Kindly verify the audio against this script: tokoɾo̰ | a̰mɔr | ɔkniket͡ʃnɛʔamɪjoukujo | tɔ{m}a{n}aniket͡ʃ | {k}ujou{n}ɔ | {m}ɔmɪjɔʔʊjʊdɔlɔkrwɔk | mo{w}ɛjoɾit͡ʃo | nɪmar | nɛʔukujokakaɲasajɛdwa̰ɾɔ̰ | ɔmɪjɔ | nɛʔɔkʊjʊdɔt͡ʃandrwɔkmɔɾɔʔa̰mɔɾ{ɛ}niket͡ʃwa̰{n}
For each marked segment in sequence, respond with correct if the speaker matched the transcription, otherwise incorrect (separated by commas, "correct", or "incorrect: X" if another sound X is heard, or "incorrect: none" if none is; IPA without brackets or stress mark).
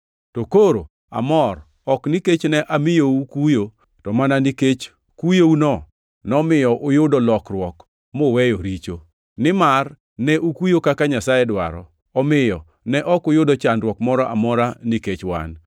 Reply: correct, correct, correct, correct, incorrect: n, correct, incorrect: a, correct